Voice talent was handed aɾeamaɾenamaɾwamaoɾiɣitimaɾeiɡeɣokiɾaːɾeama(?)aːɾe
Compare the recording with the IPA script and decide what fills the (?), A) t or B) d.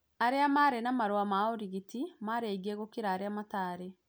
A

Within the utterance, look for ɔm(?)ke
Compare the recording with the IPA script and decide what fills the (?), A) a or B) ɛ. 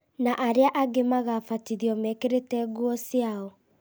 B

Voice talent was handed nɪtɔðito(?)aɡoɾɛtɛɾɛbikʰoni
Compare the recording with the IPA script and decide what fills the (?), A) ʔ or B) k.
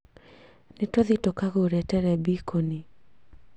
B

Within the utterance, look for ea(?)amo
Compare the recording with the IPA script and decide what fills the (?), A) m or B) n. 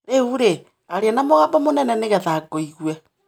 B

